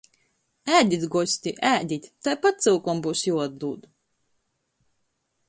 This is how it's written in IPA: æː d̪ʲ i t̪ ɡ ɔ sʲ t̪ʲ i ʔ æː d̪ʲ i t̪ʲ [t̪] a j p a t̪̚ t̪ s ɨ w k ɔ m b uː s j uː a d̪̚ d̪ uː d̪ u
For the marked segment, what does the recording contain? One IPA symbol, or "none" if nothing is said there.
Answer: t̪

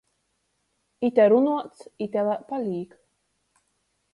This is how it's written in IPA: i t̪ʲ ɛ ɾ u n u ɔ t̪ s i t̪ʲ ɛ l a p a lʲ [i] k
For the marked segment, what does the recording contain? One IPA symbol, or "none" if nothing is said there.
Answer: iː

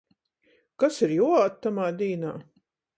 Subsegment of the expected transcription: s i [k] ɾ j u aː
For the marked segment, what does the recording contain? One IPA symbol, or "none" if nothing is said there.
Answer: none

